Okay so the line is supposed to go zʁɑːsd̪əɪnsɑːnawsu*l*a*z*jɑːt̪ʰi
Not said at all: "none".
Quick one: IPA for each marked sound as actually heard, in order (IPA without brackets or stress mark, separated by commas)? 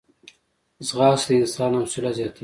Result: l, z